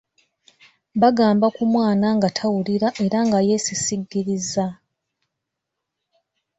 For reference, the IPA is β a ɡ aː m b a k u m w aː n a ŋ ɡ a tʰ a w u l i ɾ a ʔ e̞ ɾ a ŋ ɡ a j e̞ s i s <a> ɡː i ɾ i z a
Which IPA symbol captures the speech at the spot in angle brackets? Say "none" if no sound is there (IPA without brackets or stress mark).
i